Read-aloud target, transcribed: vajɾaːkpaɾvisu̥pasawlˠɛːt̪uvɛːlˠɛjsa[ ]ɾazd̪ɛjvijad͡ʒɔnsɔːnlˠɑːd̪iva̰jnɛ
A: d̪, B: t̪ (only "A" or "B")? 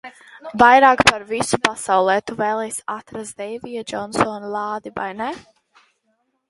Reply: B